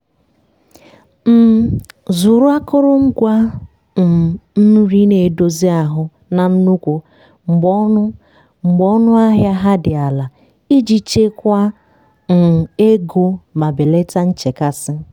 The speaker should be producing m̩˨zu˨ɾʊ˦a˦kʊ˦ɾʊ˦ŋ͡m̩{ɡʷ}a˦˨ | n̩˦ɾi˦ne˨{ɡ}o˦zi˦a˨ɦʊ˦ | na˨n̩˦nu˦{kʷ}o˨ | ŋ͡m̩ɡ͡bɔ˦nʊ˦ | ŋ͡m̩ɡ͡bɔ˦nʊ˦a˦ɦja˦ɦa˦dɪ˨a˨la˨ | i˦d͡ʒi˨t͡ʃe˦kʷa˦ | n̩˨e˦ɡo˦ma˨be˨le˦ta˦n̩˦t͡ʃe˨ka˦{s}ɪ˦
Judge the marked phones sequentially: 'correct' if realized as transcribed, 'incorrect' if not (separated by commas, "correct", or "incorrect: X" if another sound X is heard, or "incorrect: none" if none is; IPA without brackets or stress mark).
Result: correct, incorrect: d, correct, correct